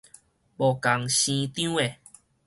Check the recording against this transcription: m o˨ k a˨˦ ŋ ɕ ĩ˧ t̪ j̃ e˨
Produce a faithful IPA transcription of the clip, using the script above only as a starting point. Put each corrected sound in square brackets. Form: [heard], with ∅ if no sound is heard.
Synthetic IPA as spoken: [b] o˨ k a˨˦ ŋ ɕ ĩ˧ t̪ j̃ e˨